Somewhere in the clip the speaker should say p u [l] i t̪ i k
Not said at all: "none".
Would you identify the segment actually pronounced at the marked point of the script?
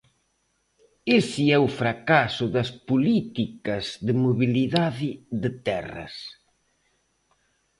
l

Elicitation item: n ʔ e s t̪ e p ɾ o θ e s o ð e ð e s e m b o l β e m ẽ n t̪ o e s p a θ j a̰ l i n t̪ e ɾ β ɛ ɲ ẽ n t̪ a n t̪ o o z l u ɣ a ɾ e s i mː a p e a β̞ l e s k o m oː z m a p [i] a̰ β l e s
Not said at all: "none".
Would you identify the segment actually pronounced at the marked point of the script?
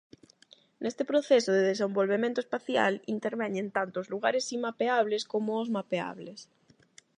e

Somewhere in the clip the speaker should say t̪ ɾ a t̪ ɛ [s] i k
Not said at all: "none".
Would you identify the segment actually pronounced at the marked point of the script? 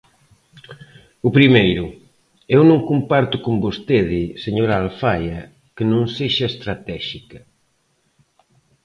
ʃ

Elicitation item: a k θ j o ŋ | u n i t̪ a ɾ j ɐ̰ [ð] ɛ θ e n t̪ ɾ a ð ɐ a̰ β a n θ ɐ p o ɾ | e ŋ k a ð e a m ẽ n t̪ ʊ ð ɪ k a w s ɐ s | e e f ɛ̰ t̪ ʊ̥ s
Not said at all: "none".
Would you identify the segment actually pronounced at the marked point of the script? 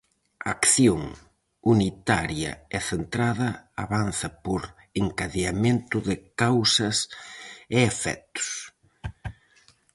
none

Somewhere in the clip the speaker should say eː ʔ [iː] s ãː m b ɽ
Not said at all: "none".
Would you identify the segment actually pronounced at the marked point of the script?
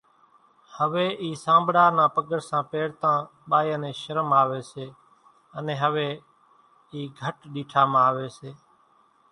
iː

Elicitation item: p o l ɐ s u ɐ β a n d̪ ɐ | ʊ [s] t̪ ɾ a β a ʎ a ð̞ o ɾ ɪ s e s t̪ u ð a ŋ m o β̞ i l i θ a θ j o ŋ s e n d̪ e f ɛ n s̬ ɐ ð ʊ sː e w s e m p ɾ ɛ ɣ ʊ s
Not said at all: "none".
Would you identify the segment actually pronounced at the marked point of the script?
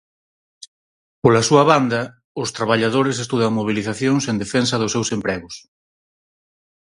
s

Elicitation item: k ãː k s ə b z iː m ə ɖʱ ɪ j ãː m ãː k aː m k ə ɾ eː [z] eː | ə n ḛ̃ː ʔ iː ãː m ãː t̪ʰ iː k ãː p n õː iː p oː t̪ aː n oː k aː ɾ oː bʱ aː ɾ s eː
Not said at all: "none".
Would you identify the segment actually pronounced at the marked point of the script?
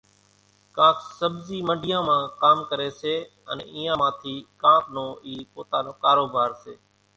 s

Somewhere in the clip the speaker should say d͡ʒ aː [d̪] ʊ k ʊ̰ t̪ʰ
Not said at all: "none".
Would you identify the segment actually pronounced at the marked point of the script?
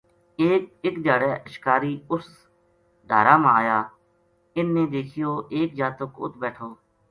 t̪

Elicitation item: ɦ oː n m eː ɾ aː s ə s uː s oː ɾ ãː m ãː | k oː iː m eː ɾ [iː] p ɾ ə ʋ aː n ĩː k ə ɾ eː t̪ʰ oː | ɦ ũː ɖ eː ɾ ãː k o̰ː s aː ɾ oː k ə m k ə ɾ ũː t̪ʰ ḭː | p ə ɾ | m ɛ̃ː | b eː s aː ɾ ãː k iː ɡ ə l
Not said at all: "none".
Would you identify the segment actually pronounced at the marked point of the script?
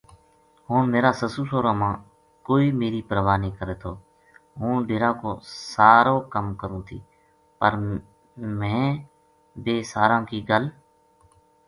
iː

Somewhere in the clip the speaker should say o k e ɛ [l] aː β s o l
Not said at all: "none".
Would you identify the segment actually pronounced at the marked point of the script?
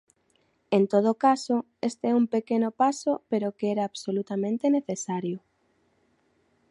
ɾ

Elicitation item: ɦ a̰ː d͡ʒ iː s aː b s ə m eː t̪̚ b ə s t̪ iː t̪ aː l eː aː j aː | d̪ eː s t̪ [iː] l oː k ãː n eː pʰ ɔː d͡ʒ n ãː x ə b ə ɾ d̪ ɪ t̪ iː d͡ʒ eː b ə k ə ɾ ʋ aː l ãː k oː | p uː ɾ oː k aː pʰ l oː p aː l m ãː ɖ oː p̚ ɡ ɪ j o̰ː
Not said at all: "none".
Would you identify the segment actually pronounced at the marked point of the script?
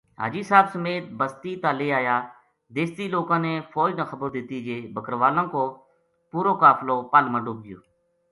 iː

